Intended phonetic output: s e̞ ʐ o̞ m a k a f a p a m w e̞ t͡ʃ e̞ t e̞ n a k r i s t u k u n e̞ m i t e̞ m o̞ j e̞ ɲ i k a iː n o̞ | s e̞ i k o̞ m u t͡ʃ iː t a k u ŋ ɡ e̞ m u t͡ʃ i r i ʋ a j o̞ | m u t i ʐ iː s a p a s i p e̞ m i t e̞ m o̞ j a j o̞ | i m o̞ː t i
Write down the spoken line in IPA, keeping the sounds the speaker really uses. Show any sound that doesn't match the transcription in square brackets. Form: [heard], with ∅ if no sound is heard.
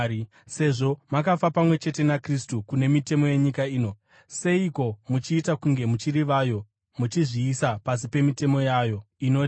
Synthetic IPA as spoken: s e̞ ʐ o̞ m a k a f a p a m w e̞ t͡ʃ e̞ t e̞ n a k r i s t u k u n e̞ m i t e̞ m o̞ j e̞ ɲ i k a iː n o̞ | s e̞ i k o̞ m u t͡ʃ iː t a k u ŋ ɡ e̞ m u t͡ʃ i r i ʋ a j o̞ | m u [t͡ʃ] i ʐ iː s a p a s i p e̞ m i t e̞ m o̞ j a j o̞ | i [n] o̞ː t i